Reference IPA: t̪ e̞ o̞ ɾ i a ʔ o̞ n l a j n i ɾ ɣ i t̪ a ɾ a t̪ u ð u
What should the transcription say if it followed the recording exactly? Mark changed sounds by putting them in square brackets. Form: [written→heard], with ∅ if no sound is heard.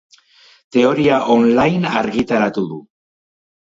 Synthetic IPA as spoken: t̪ e̞ o̞ ɾ i a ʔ o̞ n l a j n [i→a] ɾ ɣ i t̪ a ɾ a t̪ u ð u

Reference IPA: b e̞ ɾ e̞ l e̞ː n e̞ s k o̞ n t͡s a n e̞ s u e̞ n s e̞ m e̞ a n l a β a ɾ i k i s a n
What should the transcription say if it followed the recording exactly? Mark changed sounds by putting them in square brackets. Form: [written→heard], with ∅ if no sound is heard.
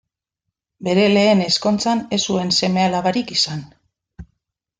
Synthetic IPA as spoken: b e̞ ɾ e̞ l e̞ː n e̞ s k o̞ n t͡s a n e̞ s u e̞ n s e̞ m e̞ a [n→∅] l a β a ɾ i k i s a n

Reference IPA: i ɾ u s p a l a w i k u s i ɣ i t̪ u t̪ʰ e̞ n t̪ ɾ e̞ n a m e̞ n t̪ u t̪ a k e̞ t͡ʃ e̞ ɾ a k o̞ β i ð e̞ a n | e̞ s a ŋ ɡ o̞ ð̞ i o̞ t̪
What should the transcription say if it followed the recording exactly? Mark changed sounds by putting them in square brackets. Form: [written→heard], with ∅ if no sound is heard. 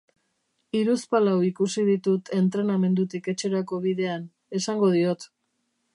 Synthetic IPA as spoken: i ɾ u s p a l a w i k u s i [ɣ→ð] i t̪ u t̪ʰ e̞ n t̪ ɾ e̞ n a m e̞ n [t̪→d̪] u t̪ [a→i] k e̞ t͡ʃ e̞ ɾ a k o̞ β i ð e̞ a n | e̞ s a ŋ ɡ o̞ ð̞ i o̞ t̪

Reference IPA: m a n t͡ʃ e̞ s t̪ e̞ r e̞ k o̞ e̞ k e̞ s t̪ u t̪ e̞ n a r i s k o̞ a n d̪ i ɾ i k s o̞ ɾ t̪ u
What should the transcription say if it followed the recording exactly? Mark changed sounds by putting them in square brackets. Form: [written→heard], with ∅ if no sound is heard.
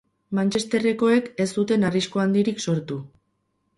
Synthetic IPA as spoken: m a n t͡ʃ e̞ s t̪ e̞ r e̞ k o̞ e̞ k e̞ s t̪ u t̪ e̞ n a r i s k o̞ a n d̪ i ɾ i k s o̞ ɾ t̪ u

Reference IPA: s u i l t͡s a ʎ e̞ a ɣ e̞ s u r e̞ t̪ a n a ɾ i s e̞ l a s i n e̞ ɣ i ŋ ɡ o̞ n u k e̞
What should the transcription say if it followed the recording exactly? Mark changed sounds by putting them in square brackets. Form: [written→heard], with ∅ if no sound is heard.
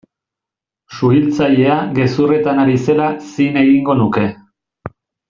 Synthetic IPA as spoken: s u i l t͡s a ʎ e̞ a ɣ e̞ s u r e̞ t̪ a n a ɾ i s e̞ l a s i n e̞ ɣ i ŋ ɡ o̞ n u k e̞

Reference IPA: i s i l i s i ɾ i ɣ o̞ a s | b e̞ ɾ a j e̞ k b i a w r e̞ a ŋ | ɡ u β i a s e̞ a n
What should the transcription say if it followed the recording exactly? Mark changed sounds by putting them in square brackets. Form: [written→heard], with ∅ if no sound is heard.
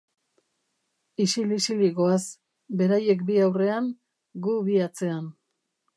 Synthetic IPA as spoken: i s i l i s i [ɾ→l] i ɣ o̞ a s | b e̞ ɾ a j e̞ k b i a w r e̞ a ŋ | ɡ u β i a [s→t͡s] e̞ a n

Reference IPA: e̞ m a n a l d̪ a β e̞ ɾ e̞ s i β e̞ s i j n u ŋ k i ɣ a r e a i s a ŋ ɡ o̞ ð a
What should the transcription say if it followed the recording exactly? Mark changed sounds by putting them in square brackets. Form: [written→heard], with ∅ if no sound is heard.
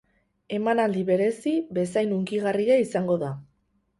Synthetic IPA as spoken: e̞ m a n a l d̪ [a→i] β e̞ ɾ e̞ s i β e̞ s [i→a] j n u ŋ k i ɣ a r [e→i] a i s a ŋ ɡ o̞ ð a

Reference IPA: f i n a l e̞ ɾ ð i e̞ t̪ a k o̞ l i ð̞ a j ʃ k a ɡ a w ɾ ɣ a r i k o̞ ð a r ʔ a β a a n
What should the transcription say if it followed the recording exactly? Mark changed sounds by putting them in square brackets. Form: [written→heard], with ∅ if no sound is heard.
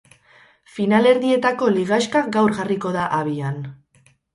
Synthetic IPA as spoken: f i n a l e̞ ɾ ð i e̞ t̪ a k o̞ l i [ð̞→ɣ̞] a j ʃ k a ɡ a w ɾ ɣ a r i k o̞ ð a [r→∅] ʔ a β [a→i] a n

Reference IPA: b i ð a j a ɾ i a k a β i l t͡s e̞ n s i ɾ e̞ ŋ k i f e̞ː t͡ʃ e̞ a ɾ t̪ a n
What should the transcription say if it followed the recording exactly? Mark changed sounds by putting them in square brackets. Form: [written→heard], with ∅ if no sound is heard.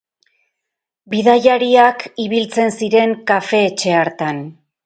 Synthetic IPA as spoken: b i ð a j a ɾ i a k [a→i] β i l t͡s e̞ n s i ɾ e̞ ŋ k [i→a] f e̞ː t͡ʃ e̞ a ɾ t̪ a n

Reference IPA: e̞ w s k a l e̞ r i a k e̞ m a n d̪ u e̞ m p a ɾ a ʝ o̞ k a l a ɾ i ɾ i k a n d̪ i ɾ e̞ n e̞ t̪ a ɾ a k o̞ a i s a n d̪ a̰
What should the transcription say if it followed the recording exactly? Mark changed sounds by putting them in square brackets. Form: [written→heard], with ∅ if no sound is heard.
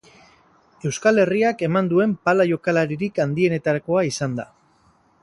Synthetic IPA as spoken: e̞ w s k a l e̞ r i a k e̞ m a n d̪ u e̞ m p a [ɾ→l] a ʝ o̞ k a l a ɾ i ɾ i k a n d̪ i [ɾ→∅] e̞ n e̞ t̪ a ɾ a k o̞ a i s a n d̪ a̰

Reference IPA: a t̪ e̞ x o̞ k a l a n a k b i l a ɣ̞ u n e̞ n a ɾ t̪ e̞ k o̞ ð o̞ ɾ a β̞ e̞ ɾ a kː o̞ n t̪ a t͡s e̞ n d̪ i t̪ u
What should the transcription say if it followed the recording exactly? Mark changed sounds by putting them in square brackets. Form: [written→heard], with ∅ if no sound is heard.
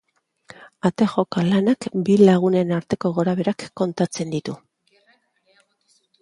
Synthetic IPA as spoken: a t̪ e̞ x o̞ k a l a n a k b i l a ɣ̞ u n e̞ n a ɾ t̪ e̞ k o̞ [ð→ɣ] o̞ ɾ a β̞ e̞ ɾ a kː o̞ n t̪ a t͡s e̞ n d̪ i t̪ u

